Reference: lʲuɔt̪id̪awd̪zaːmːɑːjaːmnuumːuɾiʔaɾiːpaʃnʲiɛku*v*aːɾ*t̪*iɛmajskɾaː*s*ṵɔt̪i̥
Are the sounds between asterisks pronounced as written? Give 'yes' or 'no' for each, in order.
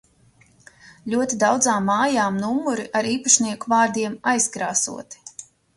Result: yes, no, yes

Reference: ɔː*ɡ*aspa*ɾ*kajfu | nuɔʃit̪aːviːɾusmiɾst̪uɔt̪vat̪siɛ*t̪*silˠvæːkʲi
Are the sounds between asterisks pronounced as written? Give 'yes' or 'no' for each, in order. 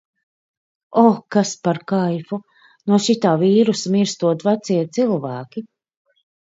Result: no, yes, yes

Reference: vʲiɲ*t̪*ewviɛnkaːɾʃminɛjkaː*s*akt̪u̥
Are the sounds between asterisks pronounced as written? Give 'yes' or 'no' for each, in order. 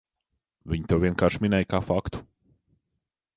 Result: yes, no

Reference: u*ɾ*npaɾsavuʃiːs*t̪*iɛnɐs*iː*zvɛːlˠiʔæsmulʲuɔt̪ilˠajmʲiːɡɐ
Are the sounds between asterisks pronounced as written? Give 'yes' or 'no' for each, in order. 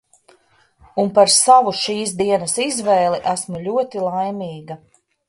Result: no, no, no

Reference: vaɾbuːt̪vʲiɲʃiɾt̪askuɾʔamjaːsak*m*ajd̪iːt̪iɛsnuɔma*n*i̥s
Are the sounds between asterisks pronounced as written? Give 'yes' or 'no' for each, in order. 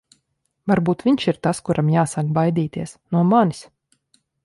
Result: no, yes

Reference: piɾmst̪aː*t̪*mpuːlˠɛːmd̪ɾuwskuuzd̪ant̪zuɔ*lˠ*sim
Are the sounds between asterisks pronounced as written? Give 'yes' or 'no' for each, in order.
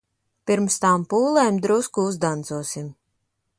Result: no, no

